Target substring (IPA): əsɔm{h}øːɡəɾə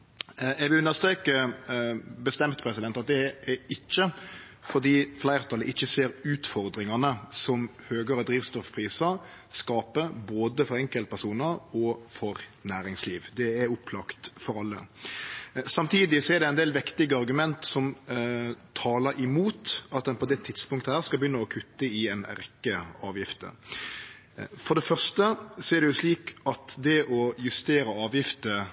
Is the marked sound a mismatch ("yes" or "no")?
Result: no